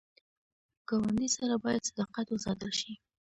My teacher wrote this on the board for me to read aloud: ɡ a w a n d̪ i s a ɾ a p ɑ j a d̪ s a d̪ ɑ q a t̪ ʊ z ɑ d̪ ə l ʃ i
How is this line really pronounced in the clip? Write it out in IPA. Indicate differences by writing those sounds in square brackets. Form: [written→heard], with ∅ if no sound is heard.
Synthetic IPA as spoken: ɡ a w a n d̪ i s a ɾ a [p→b] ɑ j a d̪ s a d̪ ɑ q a t̪ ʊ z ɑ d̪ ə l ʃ i